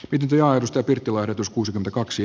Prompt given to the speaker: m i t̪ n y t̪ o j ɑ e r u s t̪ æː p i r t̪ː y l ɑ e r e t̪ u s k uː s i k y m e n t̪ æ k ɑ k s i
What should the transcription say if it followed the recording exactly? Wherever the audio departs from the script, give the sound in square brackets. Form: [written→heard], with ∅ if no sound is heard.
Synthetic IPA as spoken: m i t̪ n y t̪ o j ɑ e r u s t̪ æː p i r t̪ː [y→i] l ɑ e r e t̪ u s k uː s i k y m e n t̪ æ k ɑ k s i